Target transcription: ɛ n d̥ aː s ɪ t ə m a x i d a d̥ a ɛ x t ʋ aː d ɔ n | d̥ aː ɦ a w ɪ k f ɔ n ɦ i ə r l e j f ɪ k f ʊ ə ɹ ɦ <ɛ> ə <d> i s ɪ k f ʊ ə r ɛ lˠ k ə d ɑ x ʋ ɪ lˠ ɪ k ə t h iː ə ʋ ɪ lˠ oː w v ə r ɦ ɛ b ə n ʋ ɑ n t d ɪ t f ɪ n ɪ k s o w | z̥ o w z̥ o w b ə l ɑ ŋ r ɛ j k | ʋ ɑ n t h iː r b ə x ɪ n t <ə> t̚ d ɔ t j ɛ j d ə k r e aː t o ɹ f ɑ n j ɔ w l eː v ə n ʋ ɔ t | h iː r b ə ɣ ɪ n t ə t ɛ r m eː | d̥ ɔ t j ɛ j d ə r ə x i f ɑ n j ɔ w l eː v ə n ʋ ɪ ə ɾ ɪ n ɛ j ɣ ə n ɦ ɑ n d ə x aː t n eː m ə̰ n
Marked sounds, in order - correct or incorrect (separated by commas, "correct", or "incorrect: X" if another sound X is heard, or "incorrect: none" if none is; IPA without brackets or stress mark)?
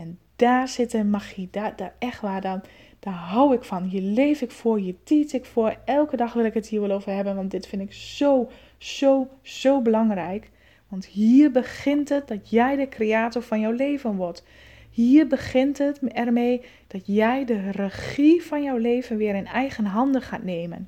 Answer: incorrect: i, incorrect: t, correct